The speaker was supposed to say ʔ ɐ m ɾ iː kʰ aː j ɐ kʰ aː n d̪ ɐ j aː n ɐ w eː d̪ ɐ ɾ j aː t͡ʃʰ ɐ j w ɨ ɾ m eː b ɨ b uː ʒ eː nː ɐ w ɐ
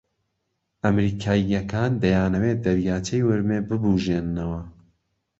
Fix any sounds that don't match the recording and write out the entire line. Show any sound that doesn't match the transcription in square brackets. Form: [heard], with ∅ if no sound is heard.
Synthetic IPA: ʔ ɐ m ɾ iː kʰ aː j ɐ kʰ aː n d̪ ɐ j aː n ɐ w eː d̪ ɐ ɾ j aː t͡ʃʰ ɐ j w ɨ ɾ m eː b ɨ b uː ʒ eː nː ɐ w ɐ